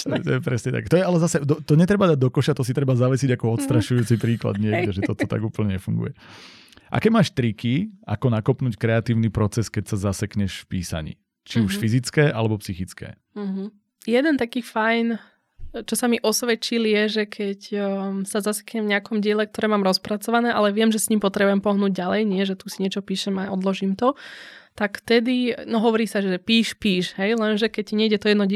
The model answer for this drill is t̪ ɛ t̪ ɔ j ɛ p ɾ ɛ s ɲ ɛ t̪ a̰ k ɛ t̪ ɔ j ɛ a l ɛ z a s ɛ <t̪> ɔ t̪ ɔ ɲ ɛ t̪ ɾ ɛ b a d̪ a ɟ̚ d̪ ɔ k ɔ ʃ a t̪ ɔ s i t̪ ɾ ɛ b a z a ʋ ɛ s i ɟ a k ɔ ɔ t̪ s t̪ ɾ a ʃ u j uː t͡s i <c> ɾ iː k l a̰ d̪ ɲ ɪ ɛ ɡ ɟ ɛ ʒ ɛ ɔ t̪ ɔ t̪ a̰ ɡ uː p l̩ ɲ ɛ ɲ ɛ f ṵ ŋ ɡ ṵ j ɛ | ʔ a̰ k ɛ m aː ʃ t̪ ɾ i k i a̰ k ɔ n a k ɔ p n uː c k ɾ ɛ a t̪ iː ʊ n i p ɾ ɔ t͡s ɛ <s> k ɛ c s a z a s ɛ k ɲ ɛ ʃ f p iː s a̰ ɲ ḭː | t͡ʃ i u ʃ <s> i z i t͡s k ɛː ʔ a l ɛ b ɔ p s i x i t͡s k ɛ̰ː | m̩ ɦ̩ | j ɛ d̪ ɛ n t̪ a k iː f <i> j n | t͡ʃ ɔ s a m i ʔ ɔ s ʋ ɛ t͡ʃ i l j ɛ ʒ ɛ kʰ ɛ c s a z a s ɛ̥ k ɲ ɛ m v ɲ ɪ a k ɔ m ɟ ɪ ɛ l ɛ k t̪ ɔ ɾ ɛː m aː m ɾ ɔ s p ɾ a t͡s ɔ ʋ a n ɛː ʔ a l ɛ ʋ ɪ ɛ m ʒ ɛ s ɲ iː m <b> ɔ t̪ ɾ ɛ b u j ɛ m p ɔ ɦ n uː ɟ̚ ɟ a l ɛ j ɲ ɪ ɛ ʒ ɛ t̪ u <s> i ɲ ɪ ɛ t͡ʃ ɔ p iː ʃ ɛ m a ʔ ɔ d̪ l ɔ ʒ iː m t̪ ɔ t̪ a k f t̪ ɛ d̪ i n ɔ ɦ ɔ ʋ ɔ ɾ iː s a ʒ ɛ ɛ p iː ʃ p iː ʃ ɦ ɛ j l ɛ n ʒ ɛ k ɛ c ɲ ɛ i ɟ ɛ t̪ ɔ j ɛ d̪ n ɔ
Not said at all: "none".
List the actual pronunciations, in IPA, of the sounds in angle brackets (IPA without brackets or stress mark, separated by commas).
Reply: d̪, p, s, f, a, p, s